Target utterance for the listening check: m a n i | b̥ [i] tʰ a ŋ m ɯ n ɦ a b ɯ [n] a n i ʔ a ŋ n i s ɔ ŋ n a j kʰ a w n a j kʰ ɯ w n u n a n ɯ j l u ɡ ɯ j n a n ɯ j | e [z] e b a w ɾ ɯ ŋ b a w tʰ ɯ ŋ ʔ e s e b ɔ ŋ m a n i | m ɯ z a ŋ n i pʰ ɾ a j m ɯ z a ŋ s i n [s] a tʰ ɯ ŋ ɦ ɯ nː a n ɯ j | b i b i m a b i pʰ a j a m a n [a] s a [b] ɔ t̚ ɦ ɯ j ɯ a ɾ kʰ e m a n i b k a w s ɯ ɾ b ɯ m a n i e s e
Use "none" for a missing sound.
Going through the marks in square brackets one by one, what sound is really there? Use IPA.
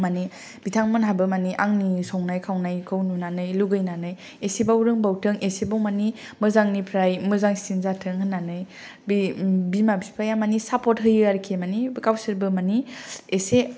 i, m, s, z, i, p

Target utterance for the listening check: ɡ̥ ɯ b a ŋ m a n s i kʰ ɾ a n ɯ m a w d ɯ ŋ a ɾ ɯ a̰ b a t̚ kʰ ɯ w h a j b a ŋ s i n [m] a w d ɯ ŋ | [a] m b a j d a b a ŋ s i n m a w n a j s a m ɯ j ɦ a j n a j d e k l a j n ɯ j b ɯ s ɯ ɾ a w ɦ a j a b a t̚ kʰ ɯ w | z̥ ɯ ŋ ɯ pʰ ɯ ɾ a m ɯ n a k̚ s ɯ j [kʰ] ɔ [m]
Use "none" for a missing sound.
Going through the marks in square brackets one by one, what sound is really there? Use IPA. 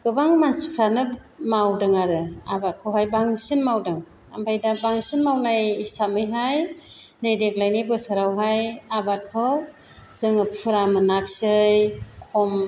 m, a, kʰ, m

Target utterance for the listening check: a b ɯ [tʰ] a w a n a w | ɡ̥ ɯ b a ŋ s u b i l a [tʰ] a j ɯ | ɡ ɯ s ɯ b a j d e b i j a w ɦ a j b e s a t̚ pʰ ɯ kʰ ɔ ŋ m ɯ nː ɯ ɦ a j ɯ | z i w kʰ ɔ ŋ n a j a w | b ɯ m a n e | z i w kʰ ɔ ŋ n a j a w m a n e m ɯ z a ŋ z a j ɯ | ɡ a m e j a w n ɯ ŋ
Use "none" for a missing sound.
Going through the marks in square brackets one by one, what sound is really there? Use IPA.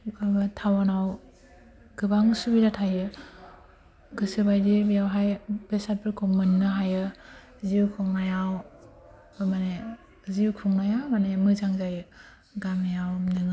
tʰ, tʰ

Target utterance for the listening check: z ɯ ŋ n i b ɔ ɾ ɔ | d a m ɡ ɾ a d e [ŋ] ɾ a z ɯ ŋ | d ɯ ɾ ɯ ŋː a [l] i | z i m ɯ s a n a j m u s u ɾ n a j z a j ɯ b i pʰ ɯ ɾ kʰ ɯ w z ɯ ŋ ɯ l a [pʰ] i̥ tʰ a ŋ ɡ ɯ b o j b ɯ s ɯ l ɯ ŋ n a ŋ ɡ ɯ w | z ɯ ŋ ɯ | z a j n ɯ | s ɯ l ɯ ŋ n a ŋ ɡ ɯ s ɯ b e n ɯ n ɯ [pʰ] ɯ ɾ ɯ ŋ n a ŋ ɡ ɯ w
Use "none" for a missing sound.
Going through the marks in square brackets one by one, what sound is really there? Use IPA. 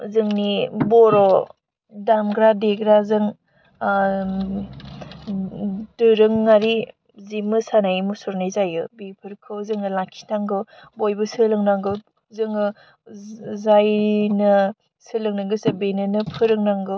ɡ, ɾ, kʰ, pʰ

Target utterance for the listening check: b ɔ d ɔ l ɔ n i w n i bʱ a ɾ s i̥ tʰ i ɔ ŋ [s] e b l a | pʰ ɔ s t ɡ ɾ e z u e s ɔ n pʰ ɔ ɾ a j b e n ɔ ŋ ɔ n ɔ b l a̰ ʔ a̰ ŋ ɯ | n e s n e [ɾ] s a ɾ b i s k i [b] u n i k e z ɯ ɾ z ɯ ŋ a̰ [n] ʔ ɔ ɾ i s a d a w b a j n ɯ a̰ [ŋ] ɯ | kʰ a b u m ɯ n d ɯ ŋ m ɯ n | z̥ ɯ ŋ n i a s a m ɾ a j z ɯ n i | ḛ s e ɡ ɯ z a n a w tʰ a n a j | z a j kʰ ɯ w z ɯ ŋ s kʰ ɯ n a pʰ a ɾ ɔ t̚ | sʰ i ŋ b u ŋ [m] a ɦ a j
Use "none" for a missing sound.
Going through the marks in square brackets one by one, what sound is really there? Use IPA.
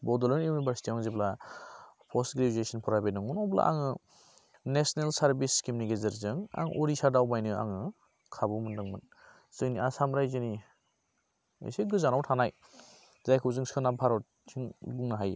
z, l, m, ŋ, ŋ, n

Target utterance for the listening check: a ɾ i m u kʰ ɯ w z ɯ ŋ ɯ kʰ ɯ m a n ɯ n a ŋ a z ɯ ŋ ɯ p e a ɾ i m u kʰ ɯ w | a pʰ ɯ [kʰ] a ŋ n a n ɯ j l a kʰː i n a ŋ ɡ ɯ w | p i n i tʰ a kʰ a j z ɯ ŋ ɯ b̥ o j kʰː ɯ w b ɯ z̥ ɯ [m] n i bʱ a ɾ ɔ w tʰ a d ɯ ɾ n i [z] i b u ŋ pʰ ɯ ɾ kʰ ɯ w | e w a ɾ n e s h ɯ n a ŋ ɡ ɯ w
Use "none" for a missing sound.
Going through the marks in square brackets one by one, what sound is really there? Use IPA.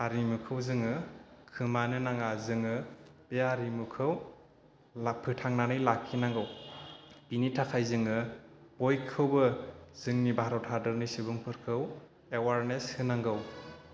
tʰ, ŋ, s

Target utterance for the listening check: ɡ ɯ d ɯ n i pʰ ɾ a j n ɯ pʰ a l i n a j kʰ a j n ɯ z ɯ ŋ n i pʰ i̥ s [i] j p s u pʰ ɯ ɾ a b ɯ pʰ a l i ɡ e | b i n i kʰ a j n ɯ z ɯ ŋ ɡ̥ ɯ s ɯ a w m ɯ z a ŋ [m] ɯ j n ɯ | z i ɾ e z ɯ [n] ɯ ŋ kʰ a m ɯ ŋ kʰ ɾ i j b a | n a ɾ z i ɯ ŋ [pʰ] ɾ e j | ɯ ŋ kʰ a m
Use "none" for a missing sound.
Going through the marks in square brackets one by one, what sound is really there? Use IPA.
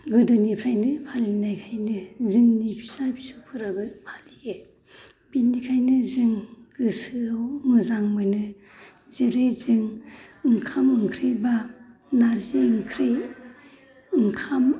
a, m, ŋ, kʰ

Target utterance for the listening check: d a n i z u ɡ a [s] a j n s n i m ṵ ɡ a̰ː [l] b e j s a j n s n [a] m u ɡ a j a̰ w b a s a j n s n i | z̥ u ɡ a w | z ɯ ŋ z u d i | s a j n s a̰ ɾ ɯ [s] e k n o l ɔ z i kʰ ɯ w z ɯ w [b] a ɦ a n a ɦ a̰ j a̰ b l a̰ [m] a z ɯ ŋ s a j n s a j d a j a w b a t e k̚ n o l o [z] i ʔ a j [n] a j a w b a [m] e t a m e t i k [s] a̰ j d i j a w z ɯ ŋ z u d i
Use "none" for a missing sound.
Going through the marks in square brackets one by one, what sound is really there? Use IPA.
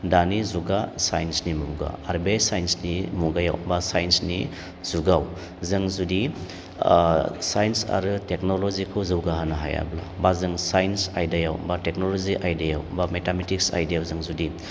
s, ɾ, i, t, ɡ, b, z, d, m, s

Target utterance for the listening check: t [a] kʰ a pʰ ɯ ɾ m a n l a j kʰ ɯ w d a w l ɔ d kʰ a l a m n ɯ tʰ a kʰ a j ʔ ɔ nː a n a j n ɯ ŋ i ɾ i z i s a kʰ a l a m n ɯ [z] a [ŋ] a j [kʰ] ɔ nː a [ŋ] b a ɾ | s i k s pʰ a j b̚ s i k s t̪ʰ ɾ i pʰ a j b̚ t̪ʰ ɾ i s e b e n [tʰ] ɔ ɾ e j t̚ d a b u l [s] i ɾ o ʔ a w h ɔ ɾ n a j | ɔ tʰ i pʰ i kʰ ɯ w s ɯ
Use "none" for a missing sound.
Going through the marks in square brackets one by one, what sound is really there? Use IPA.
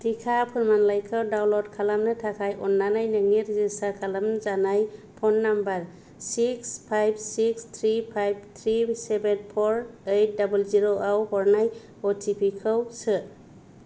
i, z, n, pʰ, m, pʰ, z

